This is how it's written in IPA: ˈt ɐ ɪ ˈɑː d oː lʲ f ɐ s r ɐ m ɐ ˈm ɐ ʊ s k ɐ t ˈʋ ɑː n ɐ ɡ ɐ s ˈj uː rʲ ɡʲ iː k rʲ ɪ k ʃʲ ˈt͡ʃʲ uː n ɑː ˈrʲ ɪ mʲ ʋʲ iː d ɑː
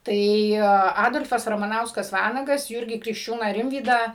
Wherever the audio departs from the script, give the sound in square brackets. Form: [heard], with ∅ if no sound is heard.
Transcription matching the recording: ˈt ɐ ɪ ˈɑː d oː lʲ f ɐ s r ɐ m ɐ [ˈn] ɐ ʊ s k ɐ [s] ˈʋ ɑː n ɐ ɡ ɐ s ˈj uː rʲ ɡʲ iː k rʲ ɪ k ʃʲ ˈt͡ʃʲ uː n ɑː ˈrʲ ɪ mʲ ʋʲ iː d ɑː